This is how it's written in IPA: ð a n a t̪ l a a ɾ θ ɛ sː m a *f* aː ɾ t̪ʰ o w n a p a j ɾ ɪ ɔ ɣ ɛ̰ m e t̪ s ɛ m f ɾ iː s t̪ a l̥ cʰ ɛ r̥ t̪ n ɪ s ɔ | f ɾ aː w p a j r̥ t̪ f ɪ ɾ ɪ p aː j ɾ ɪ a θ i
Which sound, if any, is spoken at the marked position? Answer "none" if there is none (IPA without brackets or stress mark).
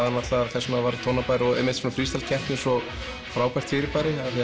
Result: v